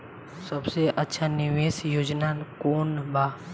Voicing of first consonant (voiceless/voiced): voiceless